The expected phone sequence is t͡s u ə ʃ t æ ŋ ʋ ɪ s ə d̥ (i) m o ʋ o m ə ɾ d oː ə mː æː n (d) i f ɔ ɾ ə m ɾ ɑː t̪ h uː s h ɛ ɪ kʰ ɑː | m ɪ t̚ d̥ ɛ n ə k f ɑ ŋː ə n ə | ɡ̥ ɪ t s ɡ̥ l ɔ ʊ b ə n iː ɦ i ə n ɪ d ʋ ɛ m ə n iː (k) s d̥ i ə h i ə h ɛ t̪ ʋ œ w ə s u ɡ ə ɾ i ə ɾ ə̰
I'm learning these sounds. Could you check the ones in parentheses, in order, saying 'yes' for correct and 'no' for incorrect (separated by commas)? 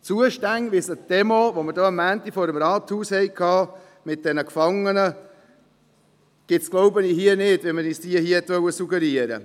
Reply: no, no, no